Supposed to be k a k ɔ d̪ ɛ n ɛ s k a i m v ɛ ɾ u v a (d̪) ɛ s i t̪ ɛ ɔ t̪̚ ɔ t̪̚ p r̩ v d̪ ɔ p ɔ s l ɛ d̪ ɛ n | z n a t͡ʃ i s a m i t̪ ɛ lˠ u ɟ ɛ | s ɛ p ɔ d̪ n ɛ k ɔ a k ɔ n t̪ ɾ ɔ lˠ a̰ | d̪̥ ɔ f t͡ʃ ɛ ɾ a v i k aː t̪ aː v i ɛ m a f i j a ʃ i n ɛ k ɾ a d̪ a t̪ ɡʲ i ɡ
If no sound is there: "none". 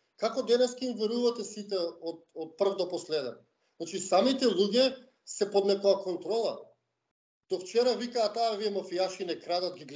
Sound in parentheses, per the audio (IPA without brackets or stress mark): t̪